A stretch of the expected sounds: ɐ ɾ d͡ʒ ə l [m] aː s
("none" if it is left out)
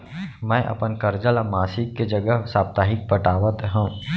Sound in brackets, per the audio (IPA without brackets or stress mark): m